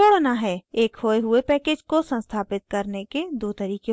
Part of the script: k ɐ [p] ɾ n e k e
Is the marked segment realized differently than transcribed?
yes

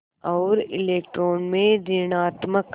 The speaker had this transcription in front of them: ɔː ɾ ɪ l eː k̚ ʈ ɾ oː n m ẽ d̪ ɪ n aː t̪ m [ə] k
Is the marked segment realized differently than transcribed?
no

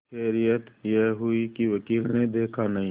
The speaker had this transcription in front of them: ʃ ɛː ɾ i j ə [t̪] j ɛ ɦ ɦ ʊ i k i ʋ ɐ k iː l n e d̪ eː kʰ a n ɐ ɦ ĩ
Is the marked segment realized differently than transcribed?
no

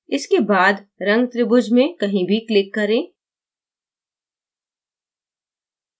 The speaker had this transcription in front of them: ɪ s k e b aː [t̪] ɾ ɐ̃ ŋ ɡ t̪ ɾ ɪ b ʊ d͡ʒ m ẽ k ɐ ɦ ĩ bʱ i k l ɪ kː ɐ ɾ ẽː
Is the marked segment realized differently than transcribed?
yes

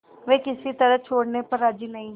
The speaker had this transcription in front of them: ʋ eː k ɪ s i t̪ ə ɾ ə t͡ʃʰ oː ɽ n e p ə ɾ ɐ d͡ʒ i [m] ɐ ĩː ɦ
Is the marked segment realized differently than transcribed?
yes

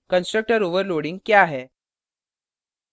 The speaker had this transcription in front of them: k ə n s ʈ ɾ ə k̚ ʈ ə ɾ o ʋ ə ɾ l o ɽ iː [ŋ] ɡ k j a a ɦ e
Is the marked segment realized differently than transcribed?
no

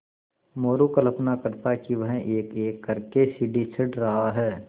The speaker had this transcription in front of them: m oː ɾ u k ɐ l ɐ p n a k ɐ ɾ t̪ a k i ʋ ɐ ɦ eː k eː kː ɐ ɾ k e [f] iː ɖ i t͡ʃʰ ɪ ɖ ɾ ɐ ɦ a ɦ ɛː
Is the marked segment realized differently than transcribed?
yes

